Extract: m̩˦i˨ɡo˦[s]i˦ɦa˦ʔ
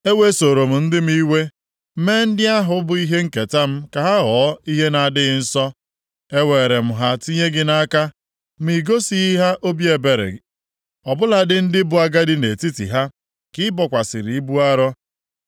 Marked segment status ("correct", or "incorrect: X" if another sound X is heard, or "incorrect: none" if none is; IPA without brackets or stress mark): correct